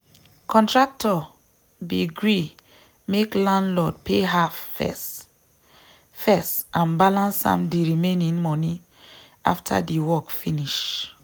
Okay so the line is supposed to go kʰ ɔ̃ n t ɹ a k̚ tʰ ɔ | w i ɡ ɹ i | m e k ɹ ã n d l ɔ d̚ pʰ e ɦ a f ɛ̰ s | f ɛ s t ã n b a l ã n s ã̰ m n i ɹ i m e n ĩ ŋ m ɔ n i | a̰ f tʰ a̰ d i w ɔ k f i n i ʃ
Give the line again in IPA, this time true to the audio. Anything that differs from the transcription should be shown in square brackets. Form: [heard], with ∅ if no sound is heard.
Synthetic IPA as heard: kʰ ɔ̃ n t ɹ a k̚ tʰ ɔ | [b] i ɡ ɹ i | m e k [l] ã n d l ɔ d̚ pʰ e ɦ a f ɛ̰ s | f ɛ s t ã n b a l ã n s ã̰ m [d] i ɹ i m e n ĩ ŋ m ɔ n i | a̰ f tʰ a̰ d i w ɔ k f i n i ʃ